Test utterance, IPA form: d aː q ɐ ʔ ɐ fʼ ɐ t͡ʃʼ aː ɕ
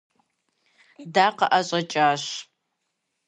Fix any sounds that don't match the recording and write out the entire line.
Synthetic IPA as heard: d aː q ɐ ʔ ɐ ɕʼ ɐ t͡ʃʼ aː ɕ